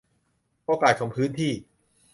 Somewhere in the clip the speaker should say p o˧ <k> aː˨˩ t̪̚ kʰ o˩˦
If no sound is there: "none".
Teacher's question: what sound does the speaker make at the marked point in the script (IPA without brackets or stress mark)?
k